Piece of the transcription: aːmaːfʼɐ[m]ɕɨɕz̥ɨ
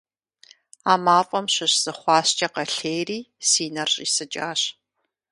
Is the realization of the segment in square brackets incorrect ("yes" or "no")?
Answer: no